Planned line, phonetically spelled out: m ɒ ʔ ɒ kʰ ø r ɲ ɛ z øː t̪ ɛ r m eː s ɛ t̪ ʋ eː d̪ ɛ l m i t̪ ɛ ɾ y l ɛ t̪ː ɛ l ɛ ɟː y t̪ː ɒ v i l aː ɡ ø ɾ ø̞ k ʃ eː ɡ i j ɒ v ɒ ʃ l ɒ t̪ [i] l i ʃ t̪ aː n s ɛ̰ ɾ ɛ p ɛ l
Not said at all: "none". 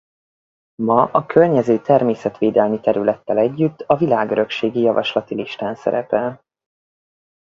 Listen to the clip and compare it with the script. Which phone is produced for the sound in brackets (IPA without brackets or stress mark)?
i